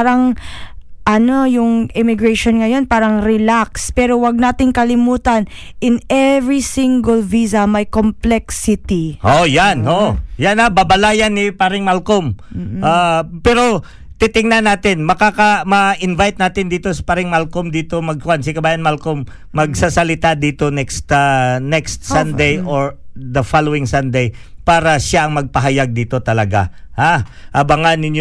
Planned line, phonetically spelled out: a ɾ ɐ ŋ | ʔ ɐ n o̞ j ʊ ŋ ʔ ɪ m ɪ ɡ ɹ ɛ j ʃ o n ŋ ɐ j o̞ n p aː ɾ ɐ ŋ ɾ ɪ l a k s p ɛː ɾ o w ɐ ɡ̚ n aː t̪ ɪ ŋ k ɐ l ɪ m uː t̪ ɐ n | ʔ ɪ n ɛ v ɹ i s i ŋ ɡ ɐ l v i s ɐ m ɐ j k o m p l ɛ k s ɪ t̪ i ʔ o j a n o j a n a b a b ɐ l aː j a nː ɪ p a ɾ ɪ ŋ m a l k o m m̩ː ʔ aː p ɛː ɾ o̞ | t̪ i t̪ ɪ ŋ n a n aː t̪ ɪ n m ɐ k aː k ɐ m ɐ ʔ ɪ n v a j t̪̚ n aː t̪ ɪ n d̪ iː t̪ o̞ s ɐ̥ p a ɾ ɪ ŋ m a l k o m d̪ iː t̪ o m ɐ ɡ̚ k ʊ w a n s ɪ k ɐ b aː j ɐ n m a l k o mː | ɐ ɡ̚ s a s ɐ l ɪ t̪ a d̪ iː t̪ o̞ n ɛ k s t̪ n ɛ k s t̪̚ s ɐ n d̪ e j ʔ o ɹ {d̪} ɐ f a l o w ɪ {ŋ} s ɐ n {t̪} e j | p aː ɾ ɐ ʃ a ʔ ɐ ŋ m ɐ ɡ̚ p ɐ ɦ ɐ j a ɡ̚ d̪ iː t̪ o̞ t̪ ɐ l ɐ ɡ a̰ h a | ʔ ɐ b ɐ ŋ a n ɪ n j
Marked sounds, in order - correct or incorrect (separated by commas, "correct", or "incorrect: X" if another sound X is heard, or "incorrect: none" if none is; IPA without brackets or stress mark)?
correct, correct, incorrect: d̪